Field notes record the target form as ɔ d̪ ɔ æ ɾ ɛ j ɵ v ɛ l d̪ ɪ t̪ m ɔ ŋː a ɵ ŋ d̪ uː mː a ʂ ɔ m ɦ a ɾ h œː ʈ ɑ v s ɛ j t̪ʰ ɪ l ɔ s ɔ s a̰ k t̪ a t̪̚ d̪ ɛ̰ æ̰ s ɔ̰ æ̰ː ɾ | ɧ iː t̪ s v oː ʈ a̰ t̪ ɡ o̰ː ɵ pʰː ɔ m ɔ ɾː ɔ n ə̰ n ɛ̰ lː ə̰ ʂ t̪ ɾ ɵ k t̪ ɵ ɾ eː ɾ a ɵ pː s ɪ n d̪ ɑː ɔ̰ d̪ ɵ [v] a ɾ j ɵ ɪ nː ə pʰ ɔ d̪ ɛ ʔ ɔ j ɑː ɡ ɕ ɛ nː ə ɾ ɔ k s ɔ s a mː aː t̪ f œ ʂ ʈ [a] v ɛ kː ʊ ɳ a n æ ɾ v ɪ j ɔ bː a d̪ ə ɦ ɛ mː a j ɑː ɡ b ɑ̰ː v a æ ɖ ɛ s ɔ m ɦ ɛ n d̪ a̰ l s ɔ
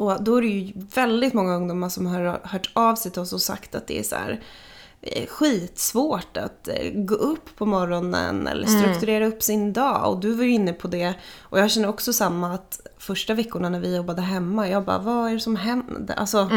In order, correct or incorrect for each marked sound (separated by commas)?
correct, correct